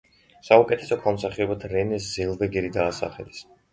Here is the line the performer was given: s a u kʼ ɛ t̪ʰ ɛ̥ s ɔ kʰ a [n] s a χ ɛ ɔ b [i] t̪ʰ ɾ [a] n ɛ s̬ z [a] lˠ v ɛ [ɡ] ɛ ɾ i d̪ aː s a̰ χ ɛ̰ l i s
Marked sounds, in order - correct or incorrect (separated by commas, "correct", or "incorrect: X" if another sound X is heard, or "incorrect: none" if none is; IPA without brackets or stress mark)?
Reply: incorrect: m, incorrect: a, incorrect: ɛ, incorrect: ɛ, correct